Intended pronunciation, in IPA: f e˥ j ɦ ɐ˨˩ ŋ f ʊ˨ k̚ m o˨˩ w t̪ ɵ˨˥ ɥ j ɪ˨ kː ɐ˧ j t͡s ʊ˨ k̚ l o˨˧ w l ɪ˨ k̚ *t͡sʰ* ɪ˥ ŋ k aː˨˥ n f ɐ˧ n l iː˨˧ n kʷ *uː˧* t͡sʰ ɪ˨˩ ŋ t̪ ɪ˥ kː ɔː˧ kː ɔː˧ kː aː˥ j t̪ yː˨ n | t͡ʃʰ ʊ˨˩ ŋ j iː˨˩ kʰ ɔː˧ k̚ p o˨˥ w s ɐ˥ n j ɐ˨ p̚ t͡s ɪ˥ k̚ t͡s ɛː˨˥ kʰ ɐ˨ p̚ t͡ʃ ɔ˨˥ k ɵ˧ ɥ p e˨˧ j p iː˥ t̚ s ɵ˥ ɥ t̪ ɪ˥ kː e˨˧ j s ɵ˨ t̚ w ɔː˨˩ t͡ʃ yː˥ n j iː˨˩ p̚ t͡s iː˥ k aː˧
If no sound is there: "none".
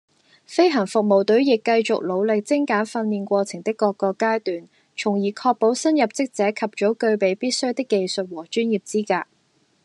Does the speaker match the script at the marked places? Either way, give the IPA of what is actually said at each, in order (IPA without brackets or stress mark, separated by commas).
t͡s, ɔː˧